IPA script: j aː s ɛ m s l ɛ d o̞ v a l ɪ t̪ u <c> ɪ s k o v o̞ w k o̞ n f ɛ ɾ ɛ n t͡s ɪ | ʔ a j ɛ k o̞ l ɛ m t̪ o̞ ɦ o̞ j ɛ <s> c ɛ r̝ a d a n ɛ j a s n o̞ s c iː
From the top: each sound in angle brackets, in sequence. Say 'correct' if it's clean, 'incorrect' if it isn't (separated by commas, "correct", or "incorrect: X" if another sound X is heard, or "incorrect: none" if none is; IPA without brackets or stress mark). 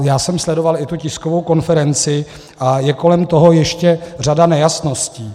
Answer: correct, incorrect: ʃ